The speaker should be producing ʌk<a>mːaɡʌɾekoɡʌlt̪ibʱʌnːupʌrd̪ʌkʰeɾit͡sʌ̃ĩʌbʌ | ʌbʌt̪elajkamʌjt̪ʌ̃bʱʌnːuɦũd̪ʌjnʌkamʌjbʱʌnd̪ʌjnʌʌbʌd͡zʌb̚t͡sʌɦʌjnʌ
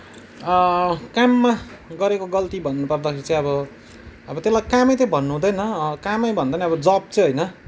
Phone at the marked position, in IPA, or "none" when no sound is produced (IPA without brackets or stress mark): a